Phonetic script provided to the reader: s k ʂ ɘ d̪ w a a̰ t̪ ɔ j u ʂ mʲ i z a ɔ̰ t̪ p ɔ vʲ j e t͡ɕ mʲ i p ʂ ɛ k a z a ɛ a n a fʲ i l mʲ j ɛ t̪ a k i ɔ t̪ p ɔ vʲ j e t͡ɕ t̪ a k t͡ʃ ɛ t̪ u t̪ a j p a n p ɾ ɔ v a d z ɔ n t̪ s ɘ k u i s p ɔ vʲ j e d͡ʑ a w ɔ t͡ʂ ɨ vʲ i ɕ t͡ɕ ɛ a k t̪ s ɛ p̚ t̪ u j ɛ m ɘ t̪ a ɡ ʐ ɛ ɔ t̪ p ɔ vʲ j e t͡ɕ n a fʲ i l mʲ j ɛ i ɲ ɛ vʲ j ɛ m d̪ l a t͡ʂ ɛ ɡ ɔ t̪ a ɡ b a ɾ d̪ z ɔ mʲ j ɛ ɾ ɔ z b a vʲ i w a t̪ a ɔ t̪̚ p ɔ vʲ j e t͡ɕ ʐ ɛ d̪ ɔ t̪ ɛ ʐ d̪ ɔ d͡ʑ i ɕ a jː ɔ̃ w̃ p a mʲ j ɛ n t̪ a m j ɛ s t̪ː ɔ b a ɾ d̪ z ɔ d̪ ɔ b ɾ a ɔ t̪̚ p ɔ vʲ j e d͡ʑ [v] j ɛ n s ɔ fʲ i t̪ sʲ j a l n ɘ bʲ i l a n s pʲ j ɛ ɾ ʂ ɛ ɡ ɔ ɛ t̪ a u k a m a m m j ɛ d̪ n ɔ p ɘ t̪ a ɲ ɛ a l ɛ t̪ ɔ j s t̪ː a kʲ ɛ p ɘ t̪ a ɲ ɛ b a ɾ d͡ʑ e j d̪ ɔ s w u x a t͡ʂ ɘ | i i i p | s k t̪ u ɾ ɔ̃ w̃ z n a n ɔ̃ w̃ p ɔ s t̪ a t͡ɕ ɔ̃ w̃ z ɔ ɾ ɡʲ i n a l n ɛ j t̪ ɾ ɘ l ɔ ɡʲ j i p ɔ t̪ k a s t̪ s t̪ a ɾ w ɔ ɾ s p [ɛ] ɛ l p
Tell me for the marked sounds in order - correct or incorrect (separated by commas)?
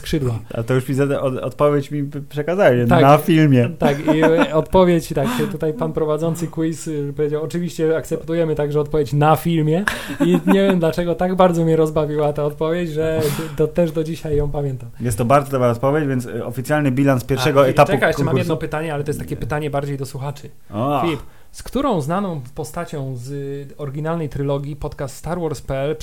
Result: correct, correct